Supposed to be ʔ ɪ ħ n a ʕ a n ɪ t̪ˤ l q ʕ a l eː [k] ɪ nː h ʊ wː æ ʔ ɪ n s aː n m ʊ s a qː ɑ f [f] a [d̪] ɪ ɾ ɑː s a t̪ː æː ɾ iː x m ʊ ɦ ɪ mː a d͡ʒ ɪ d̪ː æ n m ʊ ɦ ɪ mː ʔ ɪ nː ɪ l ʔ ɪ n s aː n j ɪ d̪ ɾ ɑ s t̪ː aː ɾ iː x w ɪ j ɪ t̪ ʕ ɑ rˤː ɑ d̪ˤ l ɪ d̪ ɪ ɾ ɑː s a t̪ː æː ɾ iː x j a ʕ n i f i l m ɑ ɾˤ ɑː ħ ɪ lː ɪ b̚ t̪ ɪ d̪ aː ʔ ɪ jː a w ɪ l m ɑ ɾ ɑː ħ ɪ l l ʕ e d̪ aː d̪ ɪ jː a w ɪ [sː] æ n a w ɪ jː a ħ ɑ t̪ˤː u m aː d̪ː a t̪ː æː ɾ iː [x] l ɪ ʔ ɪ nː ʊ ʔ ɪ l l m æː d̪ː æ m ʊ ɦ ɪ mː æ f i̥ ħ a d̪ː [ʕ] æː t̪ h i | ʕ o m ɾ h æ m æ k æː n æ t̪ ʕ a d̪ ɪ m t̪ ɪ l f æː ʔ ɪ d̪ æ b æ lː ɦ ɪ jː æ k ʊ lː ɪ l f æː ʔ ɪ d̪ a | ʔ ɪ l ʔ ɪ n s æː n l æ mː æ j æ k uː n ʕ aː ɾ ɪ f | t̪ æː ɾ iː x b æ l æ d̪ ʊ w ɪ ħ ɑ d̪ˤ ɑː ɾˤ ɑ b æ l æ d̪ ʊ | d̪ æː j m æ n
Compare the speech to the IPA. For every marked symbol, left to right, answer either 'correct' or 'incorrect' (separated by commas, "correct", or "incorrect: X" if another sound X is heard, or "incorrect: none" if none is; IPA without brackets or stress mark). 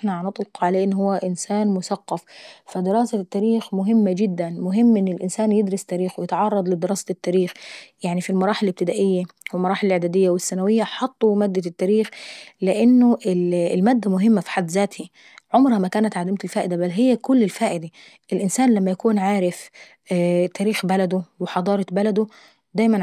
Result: incorrect: ʔ, correct, correct, correct, correct, incorrect: z